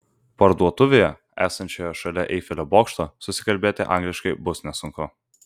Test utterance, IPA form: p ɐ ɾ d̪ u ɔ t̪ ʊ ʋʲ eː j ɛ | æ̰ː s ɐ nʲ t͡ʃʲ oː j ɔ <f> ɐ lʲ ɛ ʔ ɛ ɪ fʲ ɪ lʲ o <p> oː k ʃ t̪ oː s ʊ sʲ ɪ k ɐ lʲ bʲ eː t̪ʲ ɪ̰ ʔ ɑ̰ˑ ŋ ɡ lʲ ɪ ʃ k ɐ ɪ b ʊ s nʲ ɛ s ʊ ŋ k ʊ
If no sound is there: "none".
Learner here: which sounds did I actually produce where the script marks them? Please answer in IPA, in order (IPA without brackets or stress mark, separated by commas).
ʃ, b